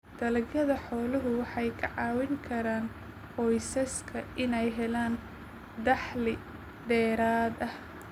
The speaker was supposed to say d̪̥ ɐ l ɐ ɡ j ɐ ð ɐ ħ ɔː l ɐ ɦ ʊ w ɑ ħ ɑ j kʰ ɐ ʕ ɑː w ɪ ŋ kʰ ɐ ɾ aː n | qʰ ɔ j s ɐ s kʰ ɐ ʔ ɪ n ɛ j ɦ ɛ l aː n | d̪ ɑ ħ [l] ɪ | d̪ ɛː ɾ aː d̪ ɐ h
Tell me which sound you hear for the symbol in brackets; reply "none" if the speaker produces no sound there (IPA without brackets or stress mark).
l